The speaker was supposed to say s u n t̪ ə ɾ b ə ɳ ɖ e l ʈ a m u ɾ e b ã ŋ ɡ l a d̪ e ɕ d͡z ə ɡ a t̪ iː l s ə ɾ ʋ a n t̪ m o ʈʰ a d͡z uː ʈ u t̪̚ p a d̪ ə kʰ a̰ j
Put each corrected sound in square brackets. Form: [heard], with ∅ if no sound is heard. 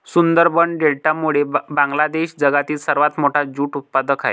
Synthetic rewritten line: s u n [d̪] ə ɾ b ə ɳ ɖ e l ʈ a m u [ɭ] e b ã ŋ ɡ l a d̪ e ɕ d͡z ə ɡ a t̪ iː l s ə ɾ ʋ a [∅] t̪ m o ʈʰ a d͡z uː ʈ u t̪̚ p a d̪ ə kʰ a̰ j